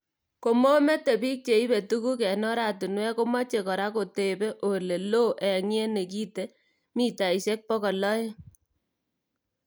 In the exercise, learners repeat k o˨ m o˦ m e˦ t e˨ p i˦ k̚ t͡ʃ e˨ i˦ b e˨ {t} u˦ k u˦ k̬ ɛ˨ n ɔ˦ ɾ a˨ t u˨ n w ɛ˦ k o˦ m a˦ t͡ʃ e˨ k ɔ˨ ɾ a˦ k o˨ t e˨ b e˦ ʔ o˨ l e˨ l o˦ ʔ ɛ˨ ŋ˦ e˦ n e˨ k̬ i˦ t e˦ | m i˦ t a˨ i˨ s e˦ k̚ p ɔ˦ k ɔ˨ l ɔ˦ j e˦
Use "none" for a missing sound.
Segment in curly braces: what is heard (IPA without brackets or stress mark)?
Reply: t